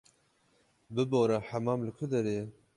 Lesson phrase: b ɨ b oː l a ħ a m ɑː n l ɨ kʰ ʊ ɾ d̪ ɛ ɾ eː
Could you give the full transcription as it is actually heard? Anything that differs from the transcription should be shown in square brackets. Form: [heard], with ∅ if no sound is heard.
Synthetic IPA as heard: b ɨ b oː [ɾ] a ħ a m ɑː [m] l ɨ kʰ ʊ [∅] d̪ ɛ ɾ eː